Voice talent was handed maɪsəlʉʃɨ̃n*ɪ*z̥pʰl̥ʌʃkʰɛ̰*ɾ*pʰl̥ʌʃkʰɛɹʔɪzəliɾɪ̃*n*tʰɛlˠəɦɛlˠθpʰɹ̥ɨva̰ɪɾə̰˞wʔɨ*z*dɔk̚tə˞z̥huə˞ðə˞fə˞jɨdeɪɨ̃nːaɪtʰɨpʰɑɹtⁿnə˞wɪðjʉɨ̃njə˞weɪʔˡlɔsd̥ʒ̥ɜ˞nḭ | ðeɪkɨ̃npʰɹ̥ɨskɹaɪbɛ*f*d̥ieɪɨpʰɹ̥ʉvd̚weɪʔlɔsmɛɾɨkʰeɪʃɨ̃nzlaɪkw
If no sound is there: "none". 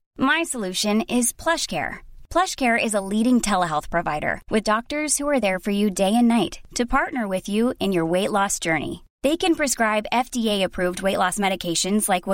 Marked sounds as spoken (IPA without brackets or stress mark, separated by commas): ɪ, ɹ, ŋ, ð, f